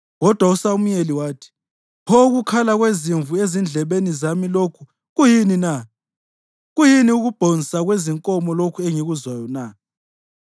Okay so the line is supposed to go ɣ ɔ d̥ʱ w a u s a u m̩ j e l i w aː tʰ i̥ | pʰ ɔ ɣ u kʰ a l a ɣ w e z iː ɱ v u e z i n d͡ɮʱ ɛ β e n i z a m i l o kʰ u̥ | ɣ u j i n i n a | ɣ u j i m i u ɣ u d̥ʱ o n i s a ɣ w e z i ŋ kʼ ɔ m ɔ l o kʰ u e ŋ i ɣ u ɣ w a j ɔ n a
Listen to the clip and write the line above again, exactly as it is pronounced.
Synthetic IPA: ɣ ɔ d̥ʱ w a u s a u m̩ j e l i w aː tʰ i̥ | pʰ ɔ ɣ u kʰ a l a ɣ w e z i ɱ v u e z i n d͡ɮʱ ɛ β e n i z a m i l o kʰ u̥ | ɣ u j i n i n a | ɣ u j i n i u ɣ u b̥ʱ o n i s a ɣ w e z i ŋ kʼ ɔ m ɔ l o kʰ u e ŋ i ɣ u z w a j ɔ n a